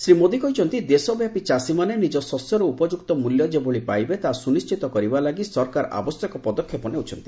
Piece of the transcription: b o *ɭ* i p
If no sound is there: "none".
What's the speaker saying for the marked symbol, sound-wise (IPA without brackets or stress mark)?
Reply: ɭ